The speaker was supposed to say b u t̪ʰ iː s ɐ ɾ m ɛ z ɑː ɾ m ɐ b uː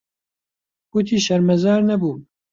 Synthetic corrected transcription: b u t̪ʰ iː ʃ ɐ ɾ m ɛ z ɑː ɾ n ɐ b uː